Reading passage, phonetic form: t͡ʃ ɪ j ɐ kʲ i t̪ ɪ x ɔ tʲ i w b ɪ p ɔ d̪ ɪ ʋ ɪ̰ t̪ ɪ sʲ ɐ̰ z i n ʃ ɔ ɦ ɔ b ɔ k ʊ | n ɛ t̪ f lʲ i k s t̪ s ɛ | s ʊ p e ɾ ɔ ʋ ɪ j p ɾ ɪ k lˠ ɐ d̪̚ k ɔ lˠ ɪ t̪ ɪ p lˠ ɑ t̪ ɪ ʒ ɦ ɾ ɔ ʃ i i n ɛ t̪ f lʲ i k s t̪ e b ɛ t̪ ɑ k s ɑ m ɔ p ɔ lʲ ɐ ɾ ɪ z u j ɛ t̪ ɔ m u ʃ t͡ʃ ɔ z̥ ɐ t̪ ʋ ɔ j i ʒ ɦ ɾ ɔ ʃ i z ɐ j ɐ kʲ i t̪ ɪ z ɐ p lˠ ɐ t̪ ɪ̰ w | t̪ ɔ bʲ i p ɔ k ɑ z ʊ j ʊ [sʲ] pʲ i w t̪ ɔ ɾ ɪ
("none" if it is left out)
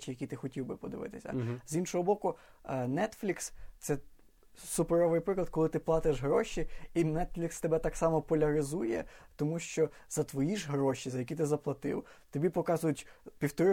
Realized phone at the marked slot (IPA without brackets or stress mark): tʲ